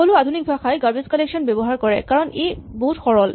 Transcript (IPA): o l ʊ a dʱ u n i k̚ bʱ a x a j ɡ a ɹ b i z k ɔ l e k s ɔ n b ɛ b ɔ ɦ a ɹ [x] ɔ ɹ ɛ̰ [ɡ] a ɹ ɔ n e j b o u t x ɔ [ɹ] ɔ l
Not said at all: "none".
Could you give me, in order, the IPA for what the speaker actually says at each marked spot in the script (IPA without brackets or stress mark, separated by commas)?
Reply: k, k, ɹ